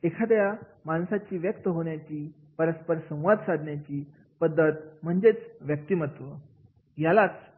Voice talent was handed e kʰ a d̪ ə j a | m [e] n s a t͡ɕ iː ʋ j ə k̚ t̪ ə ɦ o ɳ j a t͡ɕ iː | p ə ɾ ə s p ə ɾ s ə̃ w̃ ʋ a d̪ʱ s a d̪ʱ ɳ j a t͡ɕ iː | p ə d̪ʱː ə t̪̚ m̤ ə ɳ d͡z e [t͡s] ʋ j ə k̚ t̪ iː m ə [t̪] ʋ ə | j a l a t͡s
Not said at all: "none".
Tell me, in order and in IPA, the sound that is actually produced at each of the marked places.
a, t͡s, t̪

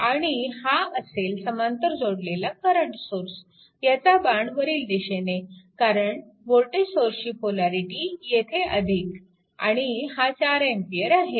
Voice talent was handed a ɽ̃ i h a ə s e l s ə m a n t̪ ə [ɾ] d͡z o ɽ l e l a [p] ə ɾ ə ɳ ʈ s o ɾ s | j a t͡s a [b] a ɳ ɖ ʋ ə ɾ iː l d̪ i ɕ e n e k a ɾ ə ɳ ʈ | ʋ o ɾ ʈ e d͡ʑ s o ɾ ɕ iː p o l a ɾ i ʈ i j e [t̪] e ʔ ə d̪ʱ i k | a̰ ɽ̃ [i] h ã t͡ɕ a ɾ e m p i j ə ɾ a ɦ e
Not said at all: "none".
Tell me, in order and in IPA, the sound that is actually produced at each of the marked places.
ɾ, k, b, t̪ʰ, i

